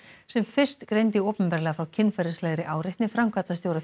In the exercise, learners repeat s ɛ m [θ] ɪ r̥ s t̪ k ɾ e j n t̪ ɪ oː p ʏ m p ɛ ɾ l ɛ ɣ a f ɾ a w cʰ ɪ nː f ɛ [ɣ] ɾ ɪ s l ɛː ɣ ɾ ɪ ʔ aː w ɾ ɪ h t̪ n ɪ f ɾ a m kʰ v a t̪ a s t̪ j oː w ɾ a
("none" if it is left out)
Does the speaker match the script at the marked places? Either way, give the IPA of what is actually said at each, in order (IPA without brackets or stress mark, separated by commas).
f, none